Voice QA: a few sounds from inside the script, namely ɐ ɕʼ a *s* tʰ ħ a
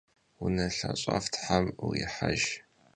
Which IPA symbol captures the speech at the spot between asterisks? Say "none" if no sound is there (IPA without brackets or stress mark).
f